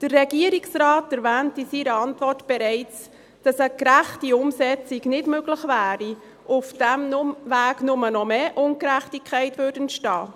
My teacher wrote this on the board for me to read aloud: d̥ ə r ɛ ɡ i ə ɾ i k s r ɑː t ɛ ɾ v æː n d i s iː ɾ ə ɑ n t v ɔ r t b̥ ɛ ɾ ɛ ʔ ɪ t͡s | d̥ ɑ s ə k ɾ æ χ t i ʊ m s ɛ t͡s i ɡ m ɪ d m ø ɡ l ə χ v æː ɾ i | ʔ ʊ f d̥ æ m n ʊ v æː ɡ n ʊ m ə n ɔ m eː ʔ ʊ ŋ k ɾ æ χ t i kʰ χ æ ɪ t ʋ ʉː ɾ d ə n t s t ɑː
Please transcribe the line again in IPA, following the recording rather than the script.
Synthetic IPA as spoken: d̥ ə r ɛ ɡ i ə ɾ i k s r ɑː t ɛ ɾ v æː n t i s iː ɾ ə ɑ n t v ɔ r t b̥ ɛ ɾ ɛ ɪ t͡s | d̥ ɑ s ə k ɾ æ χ t i ʊ m s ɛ t͡s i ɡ n ɪ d m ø ɡ l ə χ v æː ɾ i | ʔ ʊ f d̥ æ m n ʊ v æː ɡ n ʊ m ə n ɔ m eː ʔ ʊ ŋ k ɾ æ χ t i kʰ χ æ ɪ t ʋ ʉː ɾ d ə n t ʃ t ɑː